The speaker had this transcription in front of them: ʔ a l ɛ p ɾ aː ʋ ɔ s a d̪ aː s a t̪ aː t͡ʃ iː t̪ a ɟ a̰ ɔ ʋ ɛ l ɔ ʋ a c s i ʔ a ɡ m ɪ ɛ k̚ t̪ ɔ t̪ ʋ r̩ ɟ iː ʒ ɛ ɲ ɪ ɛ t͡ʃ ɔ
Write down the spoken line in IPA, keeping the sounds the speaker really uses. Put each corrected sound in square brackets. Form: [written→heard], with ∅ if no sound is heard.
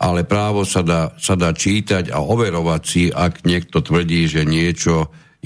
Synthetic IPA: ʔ a l ɛ p ɾ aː ʋ ɔ s a d̪ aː s a [t̪→d̪] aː t͡ʃ iː t̪ a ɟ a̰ ɔ ʋ ɛ [l→ɾ] ɔ ʋ a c s i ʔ a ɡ [m→ɲ] ɪ ɛ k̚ t̪ ɔ t̪ ʋ r̩ ɟ iː ʒ ɛ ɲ ɪ ɛ t͡ʃ ɔ